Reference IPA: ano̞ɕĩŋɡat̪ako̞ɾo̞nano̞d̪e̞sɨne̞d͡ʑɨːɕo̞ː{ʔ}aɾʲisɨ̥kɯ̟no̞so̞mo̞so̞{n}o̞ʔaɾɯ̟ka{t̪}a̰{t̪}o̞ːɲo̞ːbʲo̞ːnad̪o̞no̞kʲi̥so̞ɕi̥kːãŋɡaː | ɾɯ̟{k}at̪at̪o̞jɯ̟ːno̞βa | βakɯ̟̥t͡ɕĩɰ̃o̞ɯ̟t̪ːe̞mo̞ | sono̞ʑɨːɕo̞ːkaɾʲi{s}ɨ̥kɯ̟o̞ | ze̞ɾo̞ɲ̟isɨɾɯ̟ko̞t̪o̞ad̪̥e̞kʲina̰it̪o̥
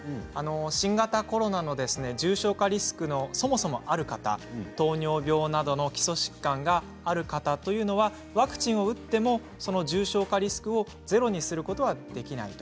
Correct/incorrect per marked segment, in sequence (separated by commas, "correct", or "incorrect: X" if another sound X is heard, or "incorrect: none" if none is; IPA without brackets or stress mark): incorrect: k, incorrect: m, correct, correct, correct, correct